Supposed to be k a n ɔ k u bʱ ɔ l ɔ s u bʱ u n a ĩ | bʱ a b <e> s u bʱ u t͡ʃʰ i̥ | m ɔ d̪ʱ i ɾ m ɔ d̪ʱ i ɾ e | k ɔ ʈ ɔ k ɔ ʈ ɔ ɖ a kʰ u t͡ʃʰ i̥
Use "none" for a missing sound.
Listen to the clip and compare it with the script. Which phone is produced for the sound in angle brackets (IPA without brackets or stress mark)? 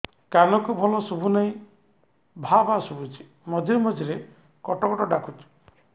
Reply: a